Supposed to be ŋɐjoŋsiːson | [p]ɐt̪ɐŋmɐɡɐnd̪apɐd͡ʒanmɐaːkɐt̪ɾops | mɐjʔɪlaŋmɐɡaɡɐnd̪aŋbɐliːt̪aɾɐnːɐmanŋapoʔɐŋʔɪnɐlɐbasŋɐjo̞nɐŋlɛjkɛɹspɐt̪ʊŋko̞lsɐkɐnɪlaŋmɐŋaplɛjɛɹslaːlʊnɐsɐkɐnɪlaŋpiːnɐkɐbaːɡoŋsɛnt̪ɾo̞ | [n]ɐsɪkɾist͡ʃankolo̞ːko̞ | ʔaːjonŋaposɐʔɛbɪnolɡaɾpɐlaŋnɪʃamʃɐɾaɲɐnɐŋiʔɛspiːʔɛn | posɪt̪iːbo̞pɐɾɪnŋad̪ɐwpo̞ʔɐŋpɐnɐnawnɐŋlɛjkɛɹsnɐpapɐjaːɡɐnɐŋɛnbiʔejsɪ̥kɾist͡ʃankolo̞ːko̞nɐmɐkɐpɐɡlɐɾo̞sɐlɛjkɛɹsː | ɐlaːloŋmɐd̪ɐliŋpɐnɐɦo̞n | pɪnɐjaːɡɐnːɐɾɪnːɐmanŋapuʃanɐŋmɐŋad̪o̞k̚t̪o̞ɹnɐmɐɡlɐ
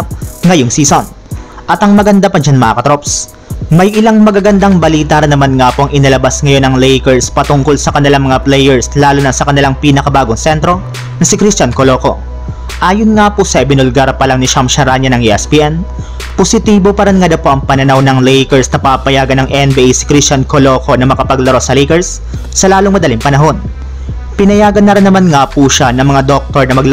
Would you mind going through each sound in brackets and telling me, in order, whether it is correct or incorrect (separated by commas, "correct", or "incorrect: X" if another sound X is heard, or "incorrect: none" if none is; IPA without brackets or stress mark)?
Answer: incorrect: ʔ, correct